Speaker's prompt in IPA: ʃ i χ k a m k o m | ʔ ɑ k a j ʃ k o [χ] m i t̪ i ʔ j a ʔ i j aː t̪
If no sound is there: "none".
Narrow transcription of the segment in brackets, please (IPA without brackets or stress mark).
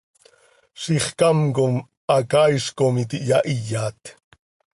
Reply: none